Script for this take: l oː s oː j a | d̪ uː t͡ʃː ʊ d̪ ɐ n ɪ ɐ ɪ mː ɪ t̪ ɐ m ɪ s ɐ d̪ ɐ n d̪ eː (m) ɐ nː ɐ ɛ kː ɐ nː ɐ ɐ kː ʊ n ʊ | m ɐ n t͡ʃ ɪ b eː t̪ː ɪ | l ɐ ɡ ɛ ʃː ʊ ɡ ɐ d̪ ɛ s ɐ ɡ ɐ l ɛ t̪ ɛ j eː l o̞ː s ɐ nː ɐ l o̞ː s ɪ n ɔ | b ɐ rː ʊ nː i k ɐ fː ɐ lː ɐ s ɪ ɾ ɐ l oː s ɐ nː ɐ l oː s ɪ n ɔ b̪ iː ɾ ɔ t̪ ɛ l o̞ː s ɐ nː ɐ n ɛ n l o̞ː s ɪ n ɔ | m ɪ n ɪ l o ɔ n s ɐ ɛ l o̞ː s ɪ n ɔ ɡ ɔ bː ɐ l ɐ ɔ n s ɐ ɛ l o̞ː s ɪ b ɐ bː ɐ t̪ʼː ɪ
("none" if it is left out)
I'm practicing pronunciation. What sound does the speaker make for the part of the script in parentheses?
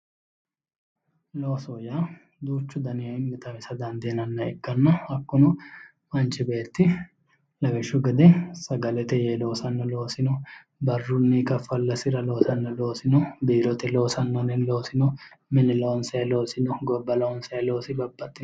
n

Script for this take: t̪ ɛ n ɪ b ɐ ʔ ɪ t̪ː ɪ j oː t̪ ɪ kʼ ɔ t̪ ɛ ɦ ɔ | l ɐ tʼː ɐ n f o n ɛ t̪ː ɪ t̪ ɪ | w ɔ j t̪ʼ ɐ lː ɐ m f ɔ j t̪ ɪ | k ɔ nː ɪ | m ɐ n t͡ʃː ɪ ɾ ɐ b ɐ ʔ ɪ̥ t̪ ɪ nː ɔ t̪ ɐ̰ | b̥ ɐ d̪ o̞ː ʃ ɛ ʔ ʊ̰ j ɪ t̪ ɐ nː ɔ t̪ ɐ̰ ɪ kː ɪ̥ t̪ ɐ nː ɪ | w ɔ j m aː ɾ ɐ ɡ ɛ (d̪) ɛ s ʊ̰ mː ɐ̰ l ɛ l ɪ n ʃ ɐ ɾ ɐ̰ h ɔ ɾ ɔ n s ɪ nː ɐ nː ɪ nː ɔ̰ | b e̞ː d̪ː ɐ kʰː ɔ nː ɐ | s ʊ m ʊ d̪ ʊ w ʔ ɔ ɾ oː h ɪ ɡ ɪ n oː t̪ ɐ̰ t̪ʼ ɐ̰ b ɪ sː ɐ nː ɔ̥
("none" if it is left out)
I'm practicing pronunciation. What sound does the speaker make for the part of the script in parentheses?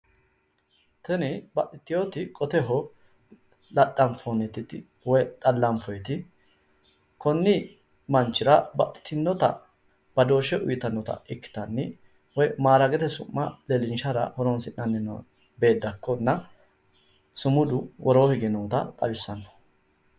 t̪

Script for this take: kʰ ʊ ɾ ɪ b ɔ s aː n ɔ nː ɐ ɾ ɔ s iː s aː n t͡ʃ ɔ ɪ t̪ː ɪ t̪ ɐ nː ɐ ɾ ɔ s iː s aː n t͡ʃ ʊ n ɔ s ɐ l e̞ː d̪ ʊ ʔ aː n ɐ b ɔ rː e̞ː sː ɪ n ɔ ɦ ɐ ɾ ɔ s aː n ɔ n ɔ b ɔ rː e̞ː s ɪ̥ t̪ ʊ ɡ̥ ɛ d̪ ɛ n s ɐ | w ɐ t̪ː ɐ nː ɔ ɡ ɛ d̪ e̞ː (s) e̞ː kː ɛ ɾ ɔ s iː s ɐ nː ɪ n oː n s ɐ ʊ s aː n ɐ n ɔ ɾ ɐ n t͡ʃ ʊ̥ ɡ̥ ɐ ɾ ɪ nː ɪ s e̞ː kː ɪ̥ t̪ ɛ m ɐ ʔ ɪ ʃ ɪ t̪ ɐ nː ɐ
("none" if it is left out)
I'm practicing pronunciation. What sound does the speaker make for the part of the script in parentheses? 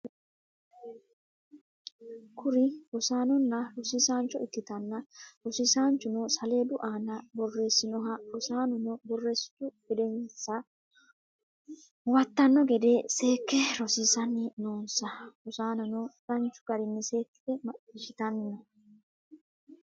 s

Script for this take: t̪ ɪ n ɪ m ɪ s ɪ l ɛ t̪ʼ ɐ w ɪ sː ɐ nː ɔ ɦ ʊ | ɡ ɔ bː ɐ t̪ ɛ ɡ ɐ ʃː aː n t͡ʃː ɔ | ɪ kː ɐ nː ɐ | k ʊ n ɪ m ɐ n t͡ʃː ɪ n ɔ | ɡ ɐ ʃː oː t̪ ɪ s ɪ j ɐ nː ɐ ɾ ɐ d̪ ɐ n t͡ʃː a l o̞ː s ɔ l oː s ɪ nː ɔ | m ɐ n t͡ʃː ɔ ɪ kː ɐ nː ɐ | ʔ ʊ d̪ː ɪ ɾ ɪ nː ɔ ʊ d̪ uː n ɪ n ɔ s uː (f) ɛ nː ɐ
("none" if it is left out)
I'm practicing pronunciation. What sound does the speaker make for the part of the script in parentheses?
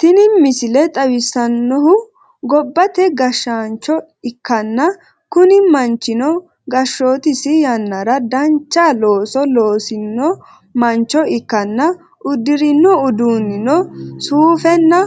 f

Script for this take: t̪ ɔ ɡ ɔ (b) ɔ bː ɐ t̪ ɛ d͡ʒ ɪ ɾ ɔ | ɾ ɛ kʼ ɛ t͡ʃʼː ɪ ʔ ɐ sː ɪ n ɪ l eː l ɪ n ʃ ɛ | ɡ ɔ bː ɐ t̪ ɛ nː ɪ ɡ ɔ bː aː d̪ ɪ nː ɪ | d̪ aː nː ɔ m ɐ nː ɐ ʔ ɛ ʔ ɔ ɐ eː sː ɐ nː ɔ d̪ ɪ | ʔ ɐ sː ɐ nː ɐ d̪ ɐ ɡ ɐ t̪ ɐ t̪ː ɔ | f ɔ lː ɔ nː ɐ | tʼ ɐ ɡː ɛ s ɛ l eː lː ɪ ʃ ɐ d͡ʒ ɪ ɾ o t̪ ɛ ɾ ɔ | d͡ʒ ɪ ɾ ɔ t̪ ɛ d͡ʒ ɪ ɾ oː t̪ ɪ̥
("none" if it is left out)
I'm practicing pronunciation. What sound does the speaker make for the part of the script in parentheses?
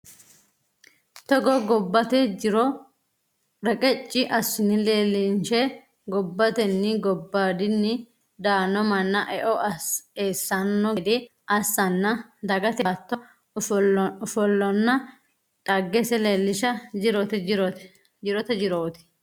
ɡ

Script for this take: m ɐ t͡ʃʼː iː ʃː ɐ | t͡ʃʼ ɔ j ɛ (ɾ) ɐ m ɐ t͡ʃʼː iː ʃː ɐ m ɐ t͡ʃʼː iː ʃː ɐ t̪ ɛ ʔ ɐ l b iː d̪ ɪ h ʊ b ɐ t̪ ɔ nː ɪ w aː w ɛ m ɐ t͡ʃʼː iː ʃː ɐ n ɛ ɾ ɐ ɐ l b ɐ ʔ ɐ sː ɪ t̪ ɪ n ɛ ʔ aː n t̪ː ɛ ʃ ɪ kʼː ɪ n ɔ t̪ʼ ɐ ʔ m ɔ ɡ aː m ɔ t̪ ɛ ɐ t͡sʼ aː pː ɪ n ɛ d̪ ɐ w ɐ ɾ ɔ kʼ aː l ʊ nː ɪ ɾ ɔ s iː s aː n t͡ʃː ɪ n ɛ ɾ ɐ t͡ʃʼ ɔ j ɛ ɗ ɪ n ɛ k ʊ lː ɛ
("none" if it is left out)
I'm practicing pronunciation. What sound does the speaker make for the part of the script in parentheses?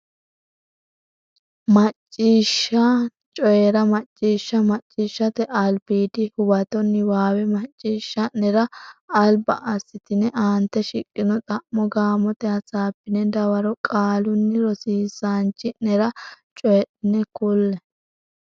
ɾ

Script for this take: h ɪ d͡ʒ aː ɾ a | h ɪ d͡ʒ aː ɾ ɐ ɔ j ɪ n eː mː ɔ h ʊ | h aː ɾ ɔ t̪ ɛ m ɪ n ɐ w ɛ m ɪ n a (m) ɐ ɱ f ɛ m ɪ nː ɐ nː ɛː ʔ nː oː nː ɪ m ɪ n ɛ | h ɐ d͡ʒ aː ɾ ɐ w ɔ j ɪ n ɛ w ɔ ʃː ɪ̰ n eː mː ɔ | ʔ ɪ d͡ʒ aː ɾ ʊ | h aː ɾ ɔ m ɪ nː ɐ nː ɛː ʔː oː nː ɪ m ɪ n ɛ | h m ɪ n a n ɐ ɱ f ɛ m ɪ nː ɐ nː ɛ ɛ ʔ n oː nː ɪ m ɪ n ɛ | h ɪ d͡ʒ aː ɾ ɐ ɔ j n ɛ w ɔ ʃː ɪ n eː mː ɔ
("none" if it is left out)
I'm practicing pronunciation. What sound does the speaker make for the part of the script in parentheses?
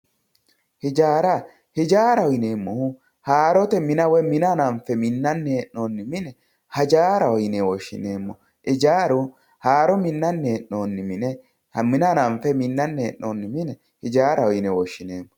n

